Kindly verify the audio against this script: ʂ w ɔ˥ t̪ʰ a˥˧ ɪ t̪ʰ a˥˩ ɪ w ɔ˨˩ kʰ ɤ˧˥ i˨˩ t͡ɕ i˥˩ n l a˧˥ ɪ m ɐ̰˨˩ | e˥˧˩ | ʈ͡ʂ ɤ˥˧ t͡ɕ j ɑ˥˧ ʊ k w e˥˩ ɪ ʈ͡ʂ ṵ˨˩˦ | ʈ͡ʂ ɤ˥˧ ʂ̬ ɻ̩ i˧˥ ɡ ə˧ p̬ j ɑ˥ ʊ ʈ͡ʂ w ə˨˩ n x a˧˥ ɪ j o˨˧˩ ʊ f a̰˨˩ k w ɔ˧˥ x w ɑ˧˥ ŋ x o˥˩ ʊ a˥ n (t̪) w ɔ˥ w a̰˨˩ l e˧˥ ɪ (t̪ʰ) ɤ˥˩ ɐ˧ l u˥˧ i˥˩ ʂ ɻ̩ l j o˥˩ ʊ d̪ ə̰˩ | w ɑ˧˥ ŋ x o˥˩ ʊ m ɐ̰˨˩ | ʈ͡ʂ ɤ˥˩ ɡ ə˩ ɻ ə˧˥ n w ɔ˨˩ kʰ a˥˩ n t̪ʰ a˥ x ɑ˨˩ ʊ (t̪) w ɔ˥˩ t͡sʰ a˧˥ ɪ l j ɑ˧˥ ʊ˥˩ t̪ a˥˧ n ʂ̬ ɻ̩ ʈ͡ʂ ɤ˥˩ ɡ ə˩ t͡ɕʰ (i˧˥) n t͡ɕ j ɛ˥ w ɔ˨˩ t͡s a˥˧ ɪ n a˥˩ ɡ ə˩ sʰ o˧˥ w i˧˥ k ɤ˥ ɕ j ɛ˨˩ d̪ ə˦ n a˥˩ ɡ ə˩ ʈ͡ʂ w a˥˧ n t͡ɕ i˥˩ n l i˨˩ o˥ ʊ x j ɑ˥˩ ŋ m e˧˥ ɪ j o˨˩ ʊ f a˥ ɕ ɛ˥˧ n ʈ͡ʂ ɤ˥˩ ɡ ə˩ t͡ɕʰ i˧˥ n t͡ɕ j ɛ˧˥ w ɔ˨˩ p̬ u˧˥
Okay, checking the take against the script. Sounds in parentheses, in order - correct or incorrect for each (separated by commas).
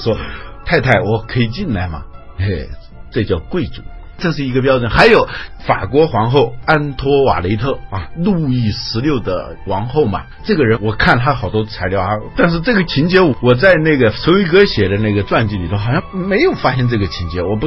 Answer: incorrect, correct, correct, correct